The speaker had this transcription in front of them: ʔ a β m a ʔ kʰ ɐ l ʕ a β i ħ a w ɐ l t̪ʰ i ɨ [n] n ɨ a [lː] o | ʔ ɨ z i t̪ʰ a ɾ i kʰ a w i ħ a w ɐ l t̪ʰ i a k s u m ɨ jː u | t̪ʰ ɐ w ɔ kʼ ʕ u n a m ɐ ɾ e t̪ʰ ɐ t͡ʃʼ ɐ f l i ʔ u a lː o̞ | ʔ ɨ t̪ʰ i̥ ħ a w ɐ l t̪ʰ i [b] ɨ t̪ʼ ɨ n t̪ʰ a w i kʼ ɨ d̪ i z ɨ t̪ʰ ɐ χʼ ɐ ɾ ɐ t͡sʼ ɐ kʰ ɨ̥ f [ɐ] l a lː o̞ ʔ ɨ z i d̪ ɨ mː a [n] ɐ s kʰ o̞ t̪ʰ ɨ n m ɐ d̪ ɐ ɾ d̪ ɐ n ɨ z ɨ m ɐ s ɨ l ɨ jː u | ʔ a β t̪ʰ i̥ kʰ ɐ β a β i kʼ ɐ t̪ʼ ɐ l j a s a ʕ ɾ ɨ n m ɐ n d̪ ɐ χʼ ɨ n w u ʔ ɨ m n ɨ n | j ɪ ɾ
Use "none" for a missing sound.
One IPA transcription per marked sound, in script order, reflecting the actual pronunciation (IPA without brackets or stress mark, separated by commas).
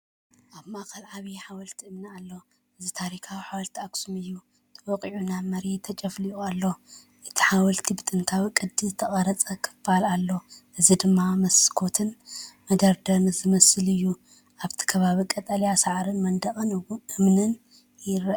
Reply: m, lː, b, a, m